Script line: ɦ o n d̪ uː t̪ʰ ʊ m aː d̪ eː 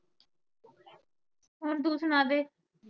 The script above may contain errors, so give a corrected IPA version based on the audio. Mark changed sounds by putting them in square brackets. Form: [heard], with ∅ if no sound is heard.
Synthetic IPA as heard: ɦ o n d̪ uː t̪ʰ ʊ [n] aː d̪ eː